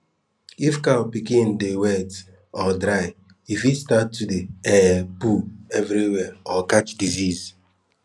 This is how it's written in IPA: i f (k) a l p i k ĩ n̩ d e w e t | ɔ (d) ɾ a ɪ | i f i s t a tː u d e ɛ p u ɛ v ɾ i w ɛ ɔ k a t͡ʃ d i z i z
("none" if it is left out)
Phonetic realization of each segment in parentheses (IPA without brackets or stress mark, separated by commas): k, d